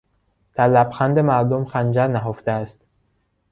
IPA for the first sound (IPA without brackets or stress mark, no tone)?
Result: d̪̥